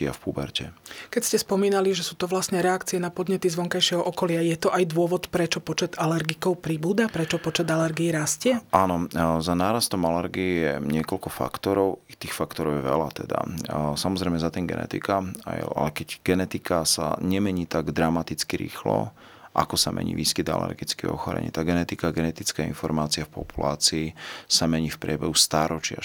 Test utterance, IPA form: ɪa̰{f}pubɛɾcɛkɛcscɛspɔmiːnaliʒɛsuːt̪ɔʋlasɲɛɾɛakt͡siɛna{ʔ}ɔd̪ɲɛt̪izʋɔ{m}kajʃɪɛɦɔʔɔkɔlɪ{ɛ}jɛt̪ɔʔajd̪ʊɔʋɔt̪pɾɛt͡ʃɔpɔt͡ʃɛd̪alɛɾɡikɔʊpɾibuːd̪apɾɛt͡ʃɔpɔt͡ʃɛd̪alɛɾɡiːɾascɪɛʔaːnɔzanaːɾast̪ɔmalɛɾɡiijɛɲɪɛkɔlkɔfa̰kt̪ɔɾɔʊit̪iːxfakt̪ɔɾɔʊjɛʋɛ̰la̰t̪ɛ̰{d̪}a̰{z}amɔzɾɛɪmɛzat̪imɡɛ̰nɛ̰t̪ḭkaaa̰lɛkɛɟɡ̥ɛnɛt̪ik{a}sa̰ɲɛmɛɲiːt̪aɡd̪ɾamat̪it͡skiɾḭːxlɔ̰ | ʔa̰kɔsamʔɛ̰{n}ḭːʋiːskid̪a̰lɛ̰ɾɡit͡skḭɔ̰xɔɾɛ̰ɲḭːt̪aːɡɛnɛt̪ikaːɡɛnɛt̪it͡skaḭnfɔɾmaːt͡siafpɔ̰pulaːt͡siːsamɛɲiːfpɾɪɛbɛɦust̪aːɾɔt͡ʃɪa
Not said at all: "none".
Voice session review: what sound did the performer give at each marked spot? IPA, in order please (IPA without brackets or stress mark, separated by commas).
f, p, ŋ, a, d̪, s, a, ɲ